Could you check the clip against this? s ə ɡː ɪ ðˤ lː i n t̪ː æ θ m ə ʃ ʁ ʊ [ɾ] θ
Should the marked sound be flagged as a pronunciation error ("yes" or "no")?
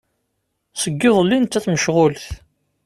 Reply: yes